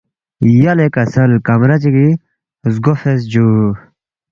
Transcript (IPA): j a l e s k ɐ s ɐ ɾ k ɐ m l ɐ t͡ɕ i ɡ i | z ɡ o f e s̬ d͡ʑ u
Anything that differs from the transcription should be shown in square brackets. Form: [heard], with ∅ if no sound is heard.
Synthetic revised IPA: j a l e [∅] k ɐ s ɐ [l] k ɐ m [ɾ] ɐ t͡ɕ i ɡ i | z ɡ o f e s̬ d͡ʑ u